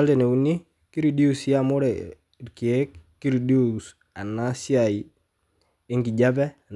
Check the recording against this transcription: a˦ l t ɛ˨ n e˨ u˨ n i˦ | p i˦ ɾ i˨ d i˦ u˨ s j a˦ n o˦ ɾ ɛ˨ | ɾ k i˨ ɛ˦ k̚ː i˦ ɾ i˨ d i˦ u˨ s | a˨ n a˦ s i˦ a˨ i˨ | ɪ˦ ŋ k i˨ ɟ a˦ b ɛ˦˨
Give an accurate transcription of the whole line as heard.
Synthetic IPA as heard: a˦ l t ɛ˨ n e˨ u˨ n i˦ | k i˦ ɾ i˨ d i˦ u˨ s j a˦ m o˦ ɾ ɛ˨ | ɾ k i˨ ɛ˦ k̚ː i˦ ɾ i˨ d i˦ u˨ s | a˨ n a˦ s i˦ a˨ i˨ | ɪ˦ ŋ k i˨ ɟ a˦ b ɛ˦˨